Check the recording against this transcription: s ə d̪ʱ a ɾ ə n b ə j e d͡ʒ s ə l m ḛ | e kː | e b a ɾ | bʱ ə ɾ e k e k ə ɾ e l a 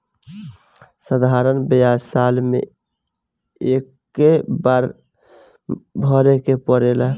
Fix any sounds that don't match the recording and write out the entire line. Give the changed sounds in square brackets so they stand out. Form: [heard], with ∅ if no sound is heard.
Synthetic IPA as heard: s ə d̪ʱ a ɾ ə n b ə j [a] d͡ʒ s [a] l m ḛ | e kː | e b a ɾ | bʱ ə ɾ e k e [p] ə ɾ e l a

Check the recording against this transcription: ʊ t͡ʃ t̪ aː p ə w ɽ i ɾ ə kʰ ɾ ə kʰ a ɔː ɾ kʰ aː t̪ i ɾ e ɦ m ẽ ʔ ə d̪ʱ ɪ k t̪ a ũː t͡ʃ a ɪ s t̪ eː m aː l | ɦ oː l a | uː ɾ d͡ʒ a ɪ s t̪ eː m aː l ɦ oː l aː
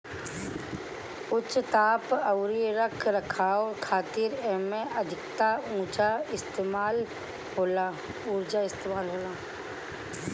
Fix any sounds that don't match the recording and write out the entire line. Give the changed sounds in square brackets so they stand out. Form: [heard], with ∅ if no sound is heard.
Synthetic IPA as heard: ʊ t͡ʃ t̪ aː p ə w [ɾ] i ɾ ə kʰ ɾ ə kʰ a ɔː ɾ kʰ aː t̪ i ɾ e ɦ m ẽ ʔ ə d̪ʱ ɪ k t̪ a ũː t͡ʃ a ɪ s t̪ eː m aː l | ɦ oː l a | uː ɾ d͡ʒ a ɪ s t̪ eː m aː l ɦ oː l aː

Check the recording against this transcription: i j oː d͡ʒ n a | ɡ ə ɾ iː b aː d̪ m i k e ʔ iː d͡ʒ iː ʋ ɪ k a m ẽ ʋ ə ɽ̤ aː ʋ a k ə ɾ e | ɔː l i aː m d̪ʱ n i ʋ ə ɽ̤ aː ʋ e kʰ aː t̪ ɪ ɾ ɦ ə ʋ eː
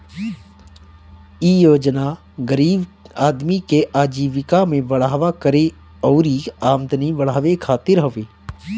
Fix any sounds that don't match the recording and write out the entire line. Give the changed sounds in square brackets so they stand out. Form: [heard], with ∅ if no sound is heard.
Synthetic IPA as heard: i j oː d͡ʒ n a | ɡ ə ɾ iː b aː d̪ m i k e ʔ [aː] d͡ʒ iː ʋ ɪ k a m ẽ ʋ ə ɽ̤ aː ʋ a k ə ɾ e | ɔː [ɾ] i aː m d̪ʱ n i ʋ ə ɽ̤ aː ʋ e kʰ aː t̪ ɪ ɾ ɦ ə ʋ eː

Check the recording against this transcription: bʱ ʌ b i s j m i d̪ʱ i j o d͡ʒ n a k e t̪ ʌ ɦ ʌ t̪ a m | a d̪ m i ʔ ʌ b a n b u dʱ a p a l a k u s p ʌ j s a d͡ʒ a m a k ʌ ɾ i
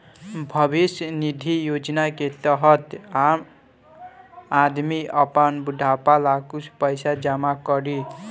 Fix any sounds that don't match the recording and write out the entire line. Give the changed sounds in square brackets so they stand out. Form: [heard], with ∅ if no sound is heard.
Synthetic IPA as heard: bʱ ʌ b i s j [n] i d̪ʱ i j o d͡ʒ n a k e t̪ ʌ ɦ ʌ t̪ a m | a d̪ m i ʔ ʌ [p] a n b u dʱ a p a l a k u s p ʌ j s a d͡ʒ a m a k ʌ ɾ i

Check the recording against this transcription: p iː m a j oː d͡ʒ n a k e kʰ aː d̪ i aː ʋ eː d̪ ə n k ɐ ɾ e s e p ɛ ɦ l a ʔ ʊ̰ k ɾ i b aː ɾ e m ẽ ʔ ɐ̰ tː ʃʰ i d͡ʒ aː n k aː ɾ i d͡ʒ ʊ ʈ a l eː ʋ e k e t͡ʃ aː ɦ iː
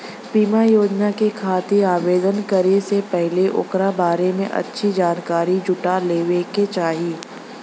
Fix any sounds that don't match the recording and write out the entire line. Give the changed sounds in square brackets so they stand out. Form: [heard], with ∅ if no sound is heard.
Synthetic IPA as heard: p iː m a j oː d͡ʒ n a k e kʰ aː [t̪] i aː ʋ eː d̪ ə n k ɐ ɾ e s e p ɛ ɦ l [e] ʔ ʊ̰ k ɾ [a] b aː ɾ e m ẽ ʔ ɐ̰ tː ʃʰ i d͡ʒ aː n k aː ɾ i d͡ʒ ʊ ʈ a l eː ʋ e k e t͡ʃ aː ɦ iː

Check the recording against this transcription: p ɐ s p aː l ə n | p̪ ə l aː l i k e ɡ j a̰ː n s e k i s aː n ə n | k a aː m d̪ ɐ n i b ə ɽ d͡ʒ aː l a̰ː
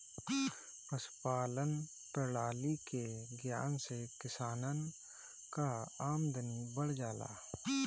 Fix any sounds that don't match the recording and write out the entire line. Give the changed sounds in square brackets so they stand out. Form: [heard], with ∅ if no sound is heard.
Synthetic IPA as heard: p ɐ s p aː l ə n | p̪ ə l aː l i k e ɡ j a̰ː n s e k [ɪ] s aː n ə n | k a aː m d̪ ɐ n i b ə ɽ d͡ʒ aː l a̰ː

